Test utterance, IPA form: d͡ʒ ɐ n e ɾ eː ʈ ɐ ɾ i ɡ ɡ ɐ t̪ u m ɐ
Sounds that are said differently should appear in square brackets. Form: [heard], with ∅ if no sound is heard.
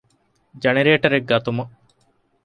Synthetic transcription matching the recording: d͡ʒ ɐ n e ɾ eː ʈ ɐ ɾ [e] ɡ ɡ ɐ t̪ u m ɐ